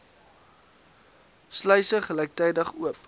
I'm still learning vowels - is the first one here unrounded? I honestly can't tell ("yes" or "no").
no